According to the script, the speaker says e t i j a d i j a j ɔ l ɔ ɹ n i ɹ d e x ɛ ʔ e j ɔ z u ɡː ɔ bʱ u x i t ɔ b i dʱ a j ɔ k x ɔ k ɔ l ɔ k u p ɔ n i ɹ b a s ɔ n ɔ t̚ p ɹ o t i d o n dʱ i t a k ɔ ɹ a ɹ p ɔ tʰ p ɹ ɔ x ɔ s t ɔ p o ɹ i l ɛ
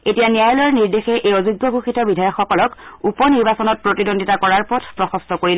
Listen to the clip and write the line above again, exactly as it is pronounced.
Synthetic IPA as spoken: e t i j a n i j a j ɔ l ɔ ɹ n i ɹ d e x ɛ ʔ e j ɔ z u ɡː ɔ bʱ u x i t ɔ b i dʱ a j ɔ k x ɔ k ɔ l ɔ k u p ɔ n i ɹ b a s ɔ n ɔ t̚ p ɹ o t i d o n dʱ i t a k ɔ ɹ a ɹ p ɔ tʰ p ɹ ɔ x ɔ s t ɔ k o ɹ i l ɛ